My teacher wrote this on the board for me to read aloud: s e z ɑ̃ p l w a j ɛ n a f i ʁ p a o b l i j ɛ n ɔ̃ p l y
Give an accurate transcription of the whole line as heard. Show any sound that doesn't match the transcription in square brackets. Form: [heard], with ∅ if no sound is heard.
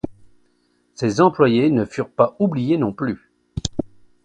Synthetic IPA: s e z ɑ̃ p l w a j [e] n [ə] f [y] ʁ p a [u] b l i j [e] n ɔ̃ p l y